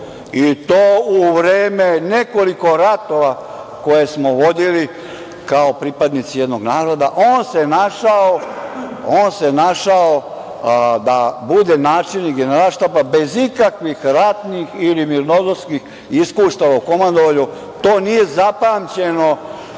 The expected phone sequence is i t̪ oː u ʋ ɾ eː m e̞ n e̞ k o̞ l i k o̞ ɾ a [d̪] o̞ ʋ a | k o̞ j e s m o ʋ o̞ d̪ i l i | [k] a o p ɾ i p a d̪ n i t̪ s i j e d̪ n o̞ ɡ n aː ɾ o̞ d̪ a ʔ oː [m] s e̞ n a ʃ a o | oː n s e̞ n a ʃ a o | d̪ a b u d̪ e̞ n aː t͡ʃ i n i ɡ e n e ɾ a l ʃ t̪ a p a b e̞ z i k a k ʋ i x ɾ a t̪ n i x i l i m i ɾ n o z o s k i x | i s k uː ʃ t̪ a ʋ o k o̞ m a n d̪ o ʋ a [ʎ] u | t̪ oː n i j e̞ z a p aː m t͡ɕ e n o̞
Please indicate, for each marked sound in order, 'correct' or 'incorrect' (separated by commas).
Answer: incorrect, correct, incorrect, correct